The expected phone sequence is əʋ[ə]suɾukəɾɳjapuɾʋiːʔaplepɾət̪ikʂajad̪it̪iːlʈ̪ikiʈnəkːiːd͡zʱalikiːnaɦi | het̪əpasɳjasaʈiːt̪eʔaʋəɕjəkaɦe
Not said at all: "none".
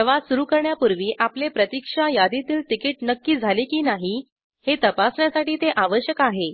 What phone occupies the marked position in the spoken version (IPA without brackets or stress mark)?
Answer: a